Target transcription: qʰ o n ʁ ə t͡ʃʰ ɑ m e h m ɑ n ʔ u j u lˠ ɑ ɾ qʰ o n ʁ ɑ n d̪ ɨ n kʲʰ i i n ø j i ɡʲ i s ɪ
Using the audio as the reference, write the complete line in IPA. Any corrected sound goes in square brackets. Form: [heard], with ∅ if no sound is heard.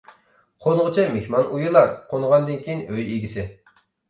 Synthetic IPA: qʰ o n ʁ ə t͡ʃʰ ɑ m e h m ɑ n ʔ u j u lˠ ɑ ɾ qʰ o n ʁ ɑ n d̪ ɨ n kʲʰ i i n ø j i ɡʲ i s ɪ